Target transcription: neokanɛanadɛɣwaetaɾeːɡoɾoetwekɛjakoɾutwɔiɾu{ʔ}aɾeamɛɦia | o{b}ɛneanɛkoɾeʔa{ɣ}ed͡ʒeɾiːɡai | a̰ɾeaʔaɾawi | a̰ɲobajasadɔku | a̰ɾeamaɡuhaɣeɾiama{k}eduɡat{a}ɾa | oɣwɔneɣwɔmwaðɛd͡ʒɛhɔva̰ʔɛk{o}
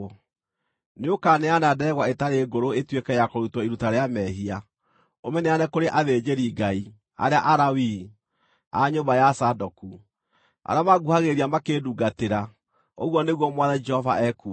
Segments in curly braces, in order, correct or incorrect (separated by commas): incorrect, incorrect, incorrect, correct, incorrect, incorrect